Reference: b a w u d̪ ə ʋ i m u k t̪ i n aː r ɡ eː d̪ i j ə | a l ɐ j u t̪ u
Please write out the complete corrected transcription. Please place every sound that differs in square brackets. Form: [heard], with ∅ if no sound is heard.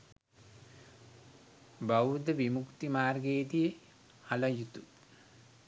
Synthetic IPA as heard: b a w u d̪ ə ʋ i m u k t̪ i [m] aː r ɡ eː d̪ i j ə | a l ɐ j u t̪ u